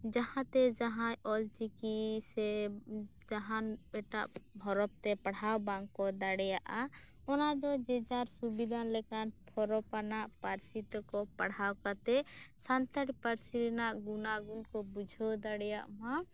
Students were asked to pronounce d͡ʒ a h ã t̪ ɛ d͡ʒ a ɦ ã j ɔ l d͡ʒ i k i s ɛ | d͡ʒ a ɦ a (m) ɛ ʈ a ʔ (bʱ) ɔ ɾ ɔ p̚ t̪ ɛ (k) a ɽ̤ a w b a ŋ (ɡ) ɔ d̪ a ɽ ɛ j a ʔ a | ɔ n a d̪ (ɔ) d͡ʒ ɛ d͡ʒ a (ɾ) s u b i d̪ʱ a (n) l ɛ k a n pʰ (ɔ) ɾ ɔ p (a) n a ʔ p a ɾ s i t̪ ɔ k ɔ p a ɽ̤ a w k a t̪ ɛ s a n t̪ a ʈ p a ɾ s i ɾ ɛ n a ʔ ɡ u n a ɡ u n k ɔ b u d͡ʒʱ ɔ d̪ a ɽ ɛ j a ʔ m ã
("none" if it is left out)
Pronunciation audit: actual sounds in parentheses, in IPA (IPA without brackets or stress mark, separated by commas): n, bʱ, p, k, ɔ, ɾ, n, ɔ, a